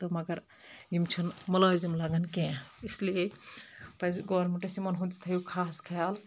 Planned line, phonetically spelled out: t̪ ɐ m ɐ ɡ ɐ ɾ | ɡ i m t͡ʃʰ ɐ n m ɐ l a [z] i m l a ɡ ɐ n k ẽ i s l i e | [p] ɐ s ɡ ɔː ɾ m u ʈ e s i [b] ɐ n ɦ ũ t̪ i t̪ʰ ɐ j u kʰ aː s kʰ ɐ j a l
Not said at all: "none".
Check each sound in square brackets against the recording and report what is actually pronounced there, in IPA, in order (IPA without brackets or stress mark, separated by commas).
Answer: z, p, m